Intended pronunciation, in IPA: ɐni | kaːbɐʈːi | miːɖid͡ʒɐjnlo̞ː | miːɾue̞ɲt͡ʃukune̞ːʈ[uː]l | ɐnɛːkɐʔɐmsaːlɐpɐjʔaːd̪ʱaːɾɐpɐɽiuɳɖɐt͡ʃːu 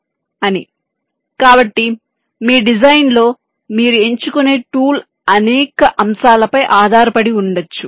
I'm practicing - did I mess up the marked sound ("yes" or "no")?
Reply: no